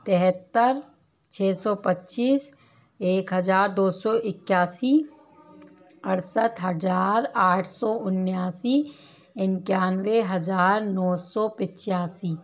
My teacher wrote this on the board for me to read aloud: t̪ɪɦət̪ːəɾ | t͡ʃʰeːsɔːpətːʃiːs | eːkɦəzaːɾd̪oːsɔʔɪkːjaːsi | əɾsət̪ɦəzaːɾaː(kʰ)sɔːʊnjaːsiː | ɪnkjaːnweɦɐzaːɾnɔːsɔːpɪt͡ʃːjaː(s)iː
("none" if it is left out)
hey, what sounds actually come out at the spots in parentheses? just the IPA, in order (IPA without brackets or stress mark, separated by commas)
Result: ʈʰ, s